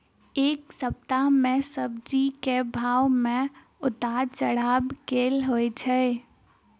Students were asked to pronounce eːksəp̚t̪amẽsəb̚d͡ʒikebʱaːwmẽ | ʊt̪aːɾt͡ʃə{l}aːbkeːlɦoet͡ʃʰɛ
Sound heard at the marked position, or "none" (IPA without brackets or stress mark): ɽ